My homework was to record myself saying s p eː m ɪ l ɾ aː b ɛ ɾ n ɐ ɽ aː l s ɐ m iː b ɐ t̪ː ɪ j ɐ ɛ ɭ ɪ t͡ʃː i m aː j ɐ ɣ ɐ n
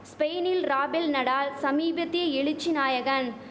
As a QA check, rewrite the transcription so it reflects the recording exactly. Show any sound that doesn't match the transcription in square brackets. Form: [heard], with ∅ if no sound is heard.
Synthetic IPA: s p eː [n] ɪ l ɾ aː b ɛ [l] n ɐ ɽ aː l s ɐ m iː b ɐ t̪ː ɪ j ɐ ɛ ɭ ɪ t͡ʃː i [n] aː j ɐ ɣ ɐ n